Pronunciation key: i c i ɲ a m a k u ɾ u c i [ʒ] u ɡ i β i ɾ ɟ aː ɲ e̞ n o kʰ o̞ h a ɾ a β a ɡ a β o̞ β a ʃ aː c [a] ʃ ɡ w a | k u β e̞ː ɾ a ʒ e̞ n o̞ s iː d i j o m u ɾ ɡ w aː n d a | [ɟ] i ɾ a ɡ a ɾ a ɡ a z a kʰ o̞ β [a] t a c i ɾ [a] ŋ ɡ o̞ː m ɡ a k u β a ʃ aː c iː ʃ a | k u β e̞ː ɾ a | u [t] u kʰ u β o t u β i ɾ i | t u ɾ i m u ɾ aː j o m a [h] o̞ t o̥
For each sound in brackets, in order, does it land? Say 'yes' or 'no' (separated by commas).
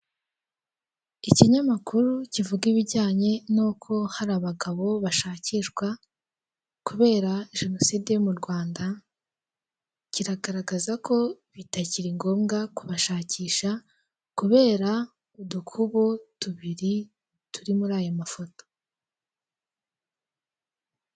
no, no, no, no, no, no, no